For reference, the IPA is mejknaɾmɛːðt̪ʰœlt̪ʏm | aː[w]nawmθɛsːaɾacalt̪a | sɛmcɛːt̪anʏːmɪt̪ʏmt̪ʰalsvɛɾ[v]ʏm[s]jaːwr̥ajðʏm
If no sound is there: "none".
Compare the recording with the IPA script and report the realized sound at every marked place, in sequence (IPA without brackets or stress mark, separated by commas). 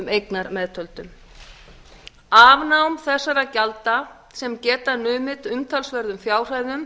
v, ð, f